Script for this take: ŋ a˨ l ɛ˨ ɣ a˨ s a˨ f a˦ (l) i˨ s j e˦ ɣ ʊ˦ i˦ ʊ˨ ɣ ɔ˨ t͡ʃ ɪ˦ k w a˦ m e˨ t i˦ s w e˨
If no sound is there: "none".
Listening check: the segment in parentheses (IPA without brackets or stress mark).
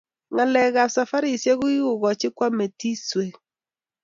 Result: ɾ